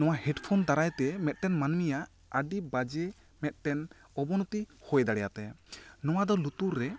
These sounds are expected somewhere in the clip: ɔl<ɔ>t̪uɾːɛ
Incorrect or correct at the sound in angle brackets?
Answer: incorrect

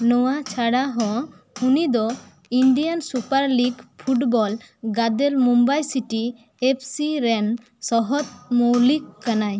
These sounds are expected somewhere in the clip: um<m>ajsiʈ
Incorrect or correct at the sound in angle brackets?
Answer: incorrect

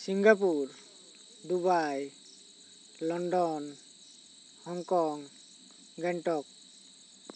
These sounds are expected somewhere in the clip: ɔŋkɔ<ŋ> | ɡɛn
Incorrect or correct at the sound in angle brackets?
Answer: correct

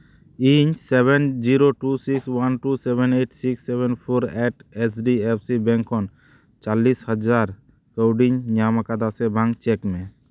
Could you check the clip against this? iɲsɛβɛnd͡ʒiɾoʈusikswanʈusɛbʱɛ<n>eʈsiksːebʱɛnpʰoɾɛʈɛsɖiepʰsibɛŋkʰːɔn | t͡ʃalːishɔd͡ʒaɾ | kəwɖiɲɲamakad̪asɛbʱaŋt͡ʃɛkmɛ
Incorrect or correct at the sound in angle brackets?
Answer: correct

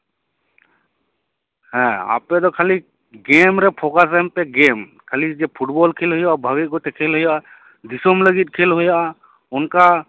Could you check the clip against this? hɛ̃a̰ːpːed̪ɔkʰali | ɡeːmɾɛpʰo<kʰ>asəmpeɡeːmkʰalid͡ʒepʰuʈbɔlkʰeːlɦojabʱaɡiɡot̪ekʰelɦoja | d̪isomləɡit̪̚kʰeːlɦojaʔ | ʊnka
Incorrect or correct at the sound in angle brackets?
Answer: incorrect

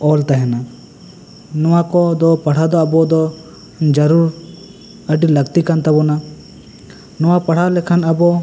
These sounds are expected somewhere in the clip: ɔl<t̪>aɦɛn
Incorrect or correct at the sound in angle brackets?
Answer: correct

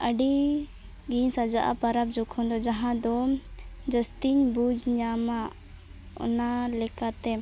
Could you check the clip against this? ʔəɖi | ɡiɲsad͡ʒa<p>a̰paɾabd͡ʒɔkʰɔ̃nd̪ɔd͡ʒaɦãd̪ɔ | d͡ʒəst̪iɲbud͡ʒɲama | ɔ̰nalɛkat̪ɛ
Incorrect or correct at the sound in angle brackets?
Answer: incorrect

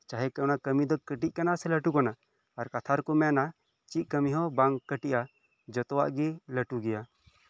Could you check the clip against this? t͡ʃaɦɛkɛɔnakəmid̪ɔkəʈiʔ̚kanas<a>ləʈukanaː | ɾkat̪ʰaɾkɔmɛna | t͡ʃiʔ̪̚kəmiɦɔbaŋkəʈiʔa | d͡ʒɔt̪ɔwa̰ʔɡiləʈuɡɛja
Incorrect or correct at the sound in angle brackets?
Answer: incorrect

